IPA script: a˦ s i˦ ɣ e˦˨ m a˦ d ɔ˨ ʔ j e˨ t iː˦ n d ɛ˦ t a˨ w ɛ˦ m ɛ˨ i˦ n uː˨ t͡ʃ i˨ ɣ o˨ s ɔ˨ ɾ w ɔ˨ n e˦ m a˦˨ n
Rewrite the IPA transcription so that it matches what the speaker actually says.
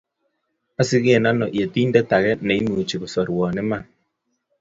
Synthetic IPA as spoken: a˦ s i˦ ɣ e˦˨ n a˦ n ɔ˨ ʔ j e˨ t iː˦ n d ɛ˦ t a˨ ɣ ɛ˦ n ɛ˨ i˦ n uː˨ t͡ʃ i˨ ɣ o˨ s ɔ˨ ɾ w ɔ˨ n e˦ m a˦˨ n

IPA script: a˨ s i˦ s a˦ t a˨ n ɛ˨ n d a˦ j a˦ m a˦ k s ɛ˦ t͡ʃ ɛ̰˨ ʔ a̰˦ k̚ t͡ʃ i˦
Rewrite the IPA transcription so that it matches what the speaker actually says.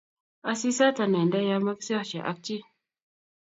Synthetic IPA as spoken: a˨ s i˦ s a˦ t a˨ n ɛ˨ n d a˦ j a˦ m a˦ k s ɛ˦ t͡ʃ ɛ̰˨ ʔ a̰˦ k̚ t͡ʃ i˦

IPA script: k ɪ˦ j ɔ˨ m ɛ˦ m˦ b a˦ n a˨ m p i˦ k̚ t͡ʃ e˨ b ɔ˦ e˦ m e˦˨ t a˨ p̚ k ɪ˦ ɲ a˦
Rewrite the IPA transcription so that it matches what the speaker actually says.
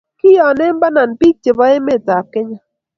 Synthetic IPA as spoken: k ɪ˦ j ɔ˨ n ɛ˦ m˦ b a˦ n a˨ n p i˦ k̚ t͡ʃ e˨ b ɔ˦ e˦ m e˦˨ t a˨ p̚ k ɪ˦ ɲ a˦

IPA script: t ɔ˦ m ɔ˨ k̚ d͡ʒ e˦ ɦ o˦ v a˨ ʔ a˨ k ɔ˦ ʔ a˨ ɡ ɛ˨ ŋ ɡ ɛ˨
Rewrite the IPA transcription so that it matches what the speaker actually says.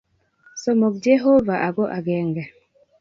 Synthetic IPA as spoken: s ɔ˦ m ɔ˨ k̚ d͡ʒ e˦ ɦ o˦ v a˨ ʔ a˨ ɡ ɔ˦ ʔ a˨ ɡ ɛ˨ ŋ ɡ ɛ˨

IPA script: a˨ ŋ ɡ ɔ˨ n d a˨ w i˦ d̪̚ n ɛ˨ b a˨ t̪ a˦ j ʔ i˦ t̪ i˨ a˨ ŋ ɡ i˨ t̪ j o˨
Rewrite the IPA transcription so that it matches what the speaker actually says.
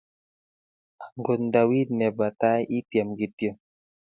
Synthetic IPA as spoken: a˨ ŋ ɡ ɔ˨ n d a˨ w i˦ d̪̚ n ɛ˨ b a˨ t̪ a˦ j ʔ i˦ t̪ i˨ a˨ m ɡ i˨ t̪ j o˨

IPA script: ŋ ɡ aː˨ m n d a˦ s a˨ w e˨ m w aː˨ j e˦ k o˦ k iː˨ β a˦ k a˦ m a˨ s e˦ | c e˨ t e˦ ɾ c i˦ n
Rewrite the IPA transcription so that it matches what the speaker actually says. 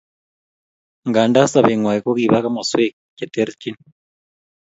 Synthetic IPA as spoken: ŋ ɡ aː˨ n d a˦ s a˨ β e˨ ŋ w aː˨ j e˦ k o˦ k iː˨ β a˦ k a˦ m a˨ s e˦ | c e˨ t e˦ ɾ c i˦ n

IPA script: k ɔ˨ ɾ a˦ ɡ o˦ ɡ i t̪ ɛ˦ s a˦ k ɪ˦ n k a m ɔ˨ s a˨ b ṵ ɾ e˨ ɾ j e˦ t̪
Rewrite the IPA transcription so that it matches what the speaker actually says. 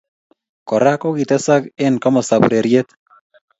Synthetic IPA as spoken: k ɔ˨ ɾ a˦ k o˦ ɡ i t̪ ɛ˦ s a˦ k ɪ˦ n k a m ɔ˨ s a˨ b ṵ ɾ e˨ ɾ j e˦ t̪

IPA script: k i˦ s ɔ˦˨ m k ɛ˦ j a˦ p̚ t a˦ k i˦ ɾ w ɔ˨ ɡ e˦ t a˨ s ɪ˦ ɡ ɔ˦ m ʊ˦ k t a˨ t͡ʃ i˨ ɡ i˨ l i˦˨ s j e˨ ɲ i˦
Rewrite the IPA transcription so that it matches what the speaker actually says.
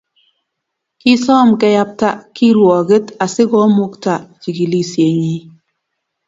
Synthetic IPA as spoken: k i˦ s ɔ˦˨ m k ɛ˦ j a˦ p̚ t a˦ k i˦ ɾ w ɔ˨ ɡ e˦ t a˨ s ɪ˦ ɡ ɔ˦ m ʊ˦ k t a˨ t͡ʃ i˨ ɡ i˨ l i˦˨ s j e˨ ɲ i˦

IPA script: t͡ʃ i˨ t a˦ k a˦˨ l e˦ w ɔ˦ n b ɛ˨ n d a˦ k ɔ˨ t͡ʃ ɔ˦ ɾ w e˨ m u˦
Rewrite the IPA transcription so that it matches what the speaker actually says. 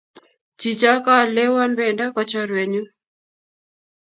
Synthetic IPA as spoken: t͡ʃ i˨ t͡ʃ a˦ k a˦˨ l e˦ w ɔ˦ n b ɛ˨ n d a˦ k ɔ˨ t͡ʃ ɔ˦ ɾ w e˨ ɲ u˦

